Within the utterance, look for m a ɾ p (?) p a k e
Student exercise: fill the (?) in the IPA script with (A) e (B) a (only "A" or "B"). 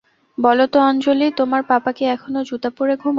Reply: B